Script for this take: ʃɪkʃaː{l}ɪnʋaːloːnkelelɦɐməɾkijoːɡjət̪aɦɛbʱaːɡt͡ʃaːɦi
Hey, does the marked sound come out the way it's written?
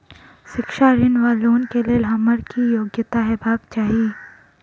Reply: no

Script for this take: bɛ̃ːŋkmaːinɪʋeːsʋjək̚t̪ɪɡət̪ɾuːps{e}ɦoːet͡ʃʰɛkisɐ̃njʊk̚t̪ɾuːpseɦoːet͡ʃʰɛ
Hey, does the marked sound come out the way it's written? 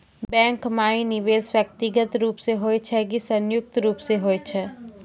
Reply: yes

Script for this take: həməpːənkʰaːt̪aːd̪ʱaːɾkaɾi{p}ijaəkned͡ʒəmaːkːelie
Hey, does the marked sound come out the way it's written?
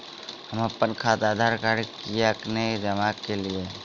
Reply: no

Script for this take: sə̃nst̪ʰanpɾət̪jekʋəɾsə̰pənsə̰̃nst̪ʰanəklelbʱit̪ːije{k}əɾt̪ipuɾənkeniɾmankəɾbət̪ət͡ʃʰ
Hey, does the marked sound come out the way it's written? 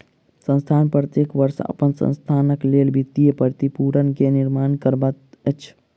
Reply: no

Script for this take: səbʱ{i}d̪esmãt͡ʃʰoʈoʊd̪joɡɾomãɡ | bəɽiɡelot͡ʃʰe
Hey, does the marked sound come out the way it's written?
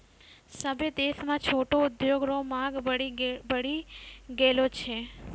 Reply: no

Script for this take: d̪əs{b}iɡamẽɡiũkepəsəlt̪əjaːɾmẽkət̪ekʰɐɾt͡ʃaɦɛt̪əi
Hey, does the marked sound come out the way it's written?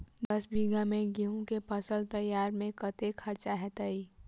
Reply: yes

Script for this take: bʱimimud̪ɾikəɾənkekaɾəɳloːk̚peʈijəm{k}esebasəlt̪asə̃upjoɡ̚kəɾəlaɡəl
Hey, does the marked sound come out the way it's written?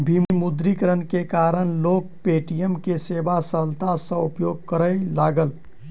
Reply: yes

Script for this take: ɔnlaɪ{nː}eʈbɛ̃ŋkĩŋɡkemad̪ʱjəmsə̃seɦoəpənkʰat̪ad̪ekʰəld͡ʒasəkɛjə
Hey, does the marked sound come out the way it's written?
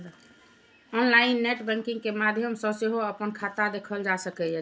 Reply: yes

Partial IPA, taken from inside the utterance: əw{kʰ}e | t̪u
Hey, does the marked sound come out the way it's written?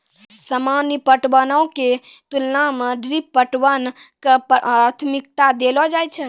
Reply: no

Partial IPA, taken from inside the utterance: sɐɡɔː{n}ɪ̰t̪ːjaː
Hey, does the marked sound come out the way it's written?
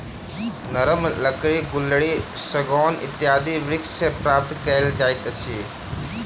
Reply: yes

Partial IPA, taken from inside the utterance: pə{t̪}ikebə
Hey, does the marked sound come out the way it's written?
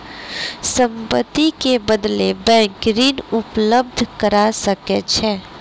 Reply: yes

